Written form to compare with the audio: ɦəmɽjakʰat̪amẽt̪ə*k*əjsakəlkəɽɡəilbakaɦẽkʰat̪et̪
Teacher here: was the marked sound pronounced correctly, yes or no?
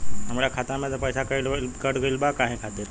no